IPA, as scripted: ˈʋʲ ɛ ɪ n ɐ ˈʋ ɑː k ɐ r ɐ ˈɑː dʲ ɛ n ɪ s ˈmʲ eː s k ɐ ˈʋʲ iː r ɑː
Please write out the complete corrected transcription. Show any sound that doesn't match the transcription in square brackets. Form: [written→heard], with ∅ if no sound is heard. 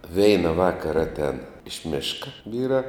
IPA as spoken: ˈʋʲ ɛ ɪ n ɐ ˈʋ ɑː k ɐ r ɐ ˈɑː [dʲ→tʲ] ɛ n ɪ [s→ʃ] ˈmʲ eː [s→ʃ] k ɐ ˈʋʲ iː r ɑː